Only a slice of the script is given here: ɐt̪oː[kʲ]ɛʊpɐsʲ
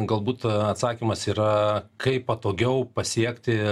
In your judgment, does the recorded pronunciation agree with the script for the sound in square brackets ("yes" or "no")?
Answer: no